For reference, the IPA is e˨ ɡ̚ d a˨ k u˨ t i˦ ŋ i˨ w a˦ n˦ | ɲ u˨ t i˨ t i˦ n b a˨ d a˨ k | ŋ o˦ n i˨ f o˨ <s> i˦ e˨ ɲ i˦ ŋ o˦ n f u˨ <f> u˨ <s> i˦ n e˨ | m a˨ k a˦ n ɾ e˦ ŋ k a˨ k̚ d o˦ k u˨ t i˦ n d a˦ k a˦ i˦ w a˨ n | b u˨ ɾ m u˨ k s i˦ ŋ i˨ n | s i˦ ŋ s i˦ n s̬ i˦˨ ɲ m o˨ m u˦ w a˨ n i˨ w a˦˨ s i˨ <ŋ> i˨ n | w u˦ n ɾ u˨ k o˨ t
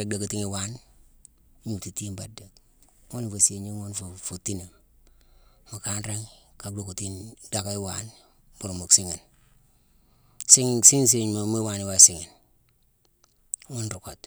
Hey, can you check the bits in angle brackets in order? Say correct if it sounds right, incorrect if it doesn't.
correct, correct, incorrect, correct

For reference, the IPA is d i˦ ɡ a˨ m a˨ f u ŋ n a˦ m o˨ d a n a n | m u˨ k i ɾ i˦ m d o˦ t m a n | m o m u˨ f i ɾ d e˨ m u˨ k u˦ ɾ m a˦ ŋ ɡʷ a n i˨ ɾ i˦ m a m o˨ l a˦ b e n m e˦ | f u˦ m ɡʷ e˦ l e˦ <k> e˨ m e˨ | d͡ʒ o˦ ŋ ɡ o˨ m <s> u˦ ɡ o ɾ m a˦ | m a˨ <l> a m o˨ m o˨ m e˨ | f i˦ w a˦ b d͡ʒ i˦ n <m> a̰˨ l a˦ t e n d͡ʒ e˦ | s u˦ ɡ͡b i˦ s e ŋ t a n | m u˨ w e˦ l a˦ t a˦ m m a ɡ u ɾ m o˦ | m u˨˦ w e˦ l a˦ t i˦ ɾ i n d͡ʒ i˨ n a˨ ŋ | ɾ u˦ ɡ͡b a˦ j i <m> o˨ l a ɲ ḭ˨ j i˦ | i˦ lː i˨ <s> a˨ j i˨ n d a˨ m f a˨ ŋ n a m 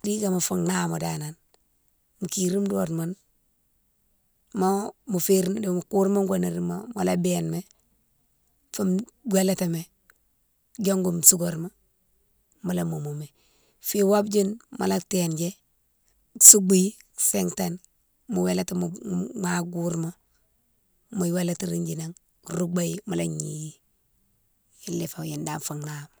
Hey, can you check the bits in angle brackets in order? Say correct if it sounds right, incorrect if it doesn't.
incorrect, correct, correct, correct, correct, incorrect

